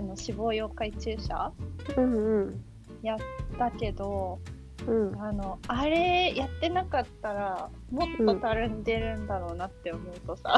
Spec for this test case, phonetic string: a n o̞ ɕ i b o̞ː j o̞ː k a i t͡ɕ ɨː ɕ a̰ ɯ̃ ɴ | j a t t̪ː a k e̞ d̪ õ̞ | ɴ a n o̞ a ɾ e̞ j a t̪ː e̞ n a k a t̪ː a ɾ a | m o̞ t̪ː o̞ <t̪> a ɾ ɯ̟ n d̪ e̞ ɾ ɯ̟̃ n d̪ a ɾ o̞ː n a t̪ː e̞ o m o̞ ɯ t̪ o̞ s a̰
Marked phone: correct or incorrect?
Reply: correct